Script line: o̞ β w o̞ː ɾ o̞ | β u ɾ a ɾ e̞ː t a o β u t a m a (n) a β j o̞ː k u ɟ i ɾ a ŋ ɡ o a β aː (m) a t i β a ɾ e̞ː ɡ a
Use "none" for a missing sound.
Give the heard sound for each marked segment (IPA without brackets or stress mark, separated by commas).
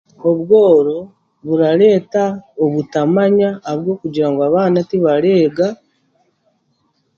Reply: ɲ, n